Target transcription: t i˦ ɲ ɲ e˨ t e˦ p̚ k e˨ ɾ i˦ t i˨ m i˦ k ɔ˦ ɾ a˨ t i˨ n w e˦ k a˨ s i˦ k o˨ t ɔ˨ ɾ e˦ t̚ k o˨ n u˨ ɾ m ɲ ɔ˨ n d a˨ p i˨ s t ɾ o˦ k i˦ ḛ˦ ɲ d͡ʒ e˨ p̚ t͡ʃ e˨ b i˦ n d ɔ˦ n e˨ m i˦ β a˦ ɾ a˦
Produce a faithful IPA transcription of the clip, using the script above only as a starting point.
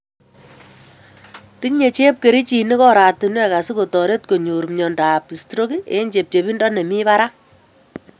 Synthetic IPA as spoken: t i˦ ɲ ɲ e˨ t͡ʃ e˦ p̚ k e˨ ɾ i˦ t͡ʃ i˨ n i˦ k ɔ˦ ɾ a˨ t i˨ n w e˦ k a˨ s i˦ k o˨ t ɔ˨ ɾ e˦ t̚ k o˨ ɲ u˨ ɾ m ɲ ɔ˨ n d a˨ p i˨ s t ɾ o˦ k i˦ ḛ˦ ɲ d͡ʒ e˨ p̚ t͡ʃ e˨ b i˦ n d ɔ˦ n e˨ m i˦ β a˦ ɾ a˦